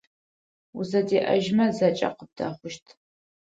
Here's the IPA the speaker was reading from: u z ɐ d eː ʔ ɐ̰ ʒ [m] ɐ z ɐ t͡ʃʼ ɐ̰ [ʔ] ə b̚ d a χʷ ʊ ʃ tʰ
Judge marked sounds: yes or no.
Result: yes, no

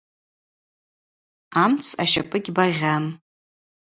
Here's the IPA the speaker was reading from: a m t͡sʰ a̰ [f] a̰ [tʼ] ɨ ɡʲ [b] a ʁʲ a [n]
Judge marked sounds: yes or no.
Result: no, no, yes, no

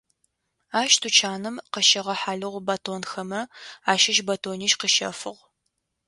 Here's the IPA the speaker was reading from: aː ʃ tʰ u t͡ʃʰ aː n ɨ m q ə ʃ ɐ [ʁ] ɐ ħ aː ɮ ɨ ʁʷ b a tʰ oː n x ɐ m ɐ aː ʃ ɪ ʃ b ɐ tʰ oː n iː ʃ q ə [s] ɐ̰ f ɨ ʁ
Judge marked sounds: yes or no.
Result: yes, no

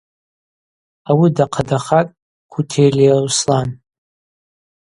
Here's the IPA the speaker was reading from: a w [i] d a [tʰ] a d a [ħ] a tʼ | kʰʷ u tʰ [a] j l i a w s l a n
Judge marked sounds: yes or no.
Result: yes, no, no, no

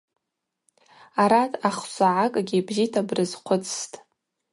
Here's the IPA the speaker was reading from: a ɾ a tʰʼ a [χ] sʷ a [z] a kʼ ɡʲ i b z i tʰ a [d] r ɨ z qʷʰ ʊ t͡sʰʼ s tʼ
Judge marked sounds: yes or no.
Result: yes, no, no

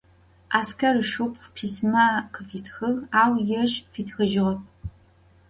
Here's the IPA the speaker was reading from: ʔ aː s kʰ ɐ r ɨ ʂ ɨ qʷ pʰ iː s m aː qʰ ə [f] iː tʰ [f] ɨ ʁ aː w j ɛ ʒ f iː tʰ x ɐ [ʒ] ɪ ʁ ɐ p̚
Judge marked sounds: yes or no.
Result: yes, no, yes

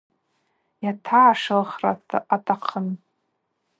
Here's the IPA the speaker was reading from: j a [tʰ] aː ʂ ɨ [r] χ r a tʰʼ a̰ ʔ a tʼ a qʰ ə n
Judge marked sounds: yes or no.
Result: yes, no

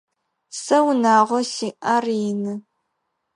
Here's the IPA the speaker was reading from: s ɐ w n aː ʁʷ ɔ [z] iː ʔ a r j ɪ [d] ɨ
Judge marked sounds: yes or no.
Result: no, no

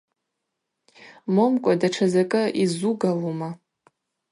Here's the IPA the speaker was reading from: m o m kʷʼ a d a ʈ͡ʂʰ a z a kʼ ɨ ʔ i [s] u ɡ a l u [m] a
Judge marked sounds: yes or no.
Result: no, yes

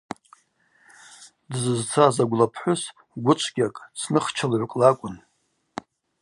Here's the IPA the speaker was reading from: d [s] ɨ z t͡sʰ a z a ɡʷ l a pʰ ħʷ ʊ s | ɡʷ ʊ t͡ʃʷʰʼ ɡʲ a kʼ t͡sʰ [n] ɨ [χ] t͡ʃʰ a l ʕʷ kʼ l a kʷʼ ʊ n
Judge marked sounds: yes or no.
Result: no, yes, yes

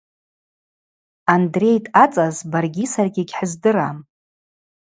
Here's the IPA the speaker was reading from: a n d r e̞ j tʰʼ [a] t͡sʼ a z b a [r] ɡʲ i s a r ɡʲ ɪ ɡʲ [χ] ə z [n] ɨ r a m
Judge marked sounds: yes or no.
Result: yes, yes, no, no

